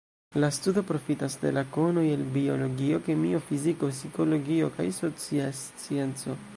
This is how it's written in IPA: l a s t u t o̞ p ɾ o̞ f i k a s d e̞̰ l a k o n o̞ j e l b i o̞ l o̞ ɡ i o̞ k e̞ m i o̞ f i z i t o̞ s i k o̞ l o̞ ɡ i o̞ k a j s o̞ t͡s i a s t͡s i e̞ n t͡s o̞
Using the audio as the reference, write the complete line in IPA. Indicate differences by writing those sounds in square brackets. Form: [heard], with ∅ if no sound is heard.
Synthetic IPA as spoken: l a s t u [d] o̞ p ɾ o̞ f i [t] a s d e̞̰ l a k o n o̞ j e l b i o̞ l o̞ ɡ i o̞ k e̞ m i o̞ f i z i [k] o̞ s i k o̞ l o̞ ɡ i o̞ k a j s o̞ t͡s i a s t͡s i e̞ n t͡s o̞